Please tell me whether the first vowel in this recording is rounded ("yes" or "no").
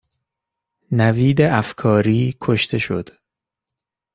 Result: no